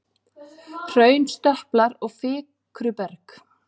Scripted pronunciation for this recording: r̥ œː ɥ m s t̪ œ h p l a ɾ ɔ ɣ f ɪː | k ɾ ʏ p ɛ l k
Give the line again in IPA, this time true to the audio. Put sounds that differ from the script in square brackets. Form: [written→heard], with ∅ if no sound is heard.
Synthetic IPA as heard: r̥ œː ɥ [m→n] s t̪ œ h p l a ɾ ɔ ɣ f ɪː | k ɾ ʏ p ɛ [l→ɾ] k

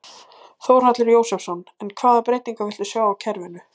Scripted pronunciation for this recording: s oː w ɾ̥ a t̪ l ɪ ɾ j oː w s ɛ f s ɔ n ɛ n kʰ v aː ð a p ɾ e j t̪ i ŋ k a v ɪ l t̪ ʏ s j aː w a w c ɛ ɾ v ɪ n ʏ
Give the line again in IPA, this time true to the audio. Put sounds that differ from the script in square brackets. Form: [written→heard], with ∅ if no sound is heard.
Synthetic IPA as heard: [s→θ] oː w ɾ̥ a t̪ l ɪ ɾ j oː w s ɛ f s ɔ n ɛ n kʰ v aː ð a p ɾ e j t̪ i ŋ k a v ɪ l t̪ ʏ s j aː w a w [c→cʰ] ɛ ɾ v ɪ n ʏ

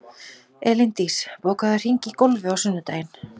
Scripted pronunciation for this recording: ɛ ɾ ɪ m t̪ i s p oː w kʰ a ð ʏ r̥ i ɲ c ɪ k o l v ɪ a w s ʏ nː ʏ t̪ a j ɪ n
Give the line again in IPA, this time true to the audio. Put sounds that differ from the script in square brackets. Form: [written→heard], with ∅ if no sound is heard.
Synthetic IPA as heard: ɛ [ɾ→l] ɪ [m→n] t̪ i s p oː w [kʰ→k] a ð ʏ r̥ i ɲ c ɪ k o l v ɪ a w s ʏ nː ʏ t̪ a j ɪ n

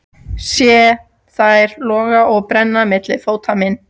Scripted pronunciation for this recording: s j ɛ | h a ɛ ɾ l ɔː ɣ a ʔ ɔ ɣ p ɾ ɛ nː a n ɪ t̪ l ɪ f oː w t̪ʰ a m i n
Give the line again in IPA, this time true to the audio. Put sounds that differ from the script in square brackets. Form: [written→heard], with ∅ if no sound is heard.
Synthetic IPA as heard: s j ɛ | [h→θ] a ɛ ɾ l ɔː ɣ a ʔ ɔ ɣ p ɾ ɛ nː a [n→m] ɪ t̪ l ɪ f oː w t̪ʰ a m [i→ɪ] n

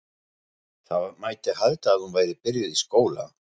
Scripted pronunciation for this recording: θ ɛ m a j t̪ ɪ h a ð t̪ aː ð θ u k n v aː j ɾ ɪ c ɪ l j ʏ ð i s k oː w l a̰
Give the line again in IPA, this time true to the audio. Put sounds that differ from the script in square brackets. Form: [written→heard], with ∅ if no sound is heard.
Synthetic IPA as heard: θ [ɛ→a] m a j t̪ ɪ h a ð t̪ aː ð [θ→h] u [k→∅] n v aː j ɾ ɪ [c→p] ɪ [l→ɾ] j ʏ ð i s k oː w l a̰

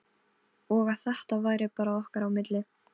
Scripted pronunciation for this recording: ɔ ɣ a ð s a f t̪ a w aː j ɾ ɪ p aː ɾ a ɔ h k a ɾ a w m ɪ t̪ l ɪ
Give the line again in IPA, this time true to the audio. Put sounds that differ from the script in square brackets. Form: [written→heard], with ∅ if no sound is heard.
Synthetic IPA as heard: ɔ ɣ a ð [s→θ] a [f→h] t̪ a [w→v] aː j ɾ ɪ p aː ɾ a ɔ h k a ɾ a w m ɪ t̪ l ɪ

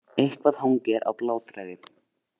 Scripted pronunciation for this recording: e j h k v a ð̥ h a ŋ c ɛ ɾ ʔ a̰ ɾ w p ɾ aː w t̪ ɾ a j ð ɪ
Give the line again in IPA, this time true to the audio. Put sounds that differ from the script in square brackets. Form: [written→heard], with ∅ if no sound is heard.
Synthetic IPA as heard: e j h k v a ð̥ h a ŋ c ɛ ɾ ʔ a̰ [ɾ→∅] w p [ɾ→l] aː w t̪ ɾ a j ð ɪ

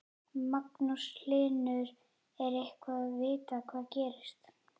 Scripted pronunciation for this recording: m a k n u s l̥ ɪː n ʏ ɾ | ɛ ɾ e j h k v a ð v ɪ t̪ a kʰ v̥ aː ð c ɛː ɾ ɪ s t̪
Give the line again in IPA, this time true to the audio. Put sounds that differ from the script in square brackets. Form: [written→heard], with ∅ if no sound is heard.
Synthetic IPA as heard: m a k n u s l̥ ɪː n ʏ ɾ | ɛ ɾ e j h k v a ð v [ɪ→ɪː] t̪ a kʰ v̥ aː ð c ɛː ɾ ɪ s t̪

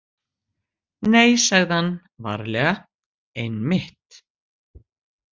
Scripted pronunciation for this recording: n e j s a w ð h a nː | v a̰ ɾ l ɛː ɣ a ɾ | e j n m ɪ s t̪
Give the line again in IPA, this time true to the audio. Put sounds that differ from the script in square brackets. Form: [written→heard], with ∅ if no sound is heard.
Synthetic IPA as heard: n e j s a [w→ɣ] ð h a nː | v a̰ ɾ l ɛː ɣ a [ɾ→∅] | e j n m ɪ [s→h] t̪

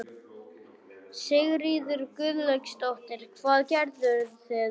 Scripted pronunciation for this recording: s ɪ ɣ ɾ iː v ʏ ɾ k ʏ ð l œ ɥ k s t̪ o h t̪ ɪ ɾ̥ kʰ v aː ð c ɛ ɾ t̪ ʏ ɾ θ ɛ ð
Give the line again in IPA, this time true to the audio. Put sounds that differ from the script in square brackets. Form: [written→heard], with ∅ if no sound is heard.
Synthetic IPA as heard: s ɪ ɣ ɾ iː [v→ð] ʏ ɾ k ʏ ð l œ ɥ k s t̪ o h t̪ ɪ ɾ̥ kʰ v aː ð c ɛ ɾ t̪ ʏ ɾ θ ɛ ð

